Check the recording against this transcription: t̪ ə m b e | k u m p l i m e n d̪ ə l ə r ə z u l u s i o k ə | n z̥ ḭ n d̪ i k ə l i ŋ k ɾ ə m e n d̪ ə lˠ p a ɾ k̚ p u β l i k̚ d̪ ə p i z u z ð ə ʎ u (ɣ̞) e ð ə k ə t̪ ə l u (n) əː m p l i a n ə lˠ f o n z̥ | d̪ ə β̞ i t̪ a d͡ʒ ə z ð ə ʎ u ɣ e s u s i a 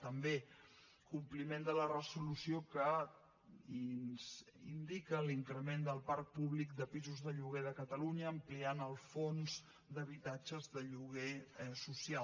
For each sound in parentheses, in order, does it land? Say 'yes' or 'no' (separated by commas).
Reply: yes, no